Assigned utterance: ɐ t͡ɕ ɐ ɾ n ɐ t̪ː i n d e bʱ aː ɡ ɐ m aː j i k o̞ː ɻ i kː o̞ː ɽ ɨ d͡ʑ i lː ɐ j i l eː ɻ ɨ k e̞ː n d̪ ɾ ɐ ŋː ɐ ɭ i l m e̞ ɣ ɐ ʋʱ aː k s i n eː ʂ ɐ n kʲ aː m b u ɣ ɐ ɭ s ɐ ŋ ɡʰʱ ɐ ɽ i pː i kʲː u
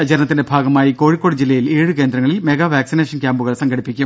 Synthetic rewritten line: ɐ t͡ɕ ɐ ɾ n ɐ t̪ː i n d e bʱ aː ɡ ɐ m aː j i k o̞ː ɻ i kː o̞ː ɽ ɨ d͡ʑ i lː ɐ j i l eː ɻ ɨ k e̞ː n d̪ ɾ ɐ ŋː ɐ ɭ i l m e̞ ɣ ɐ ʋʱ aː k s i n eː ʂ ɐ n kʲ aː m b u ɣ ɐ ɭ s ɐ ŋ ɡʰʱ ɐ ɽ i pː i kʲː u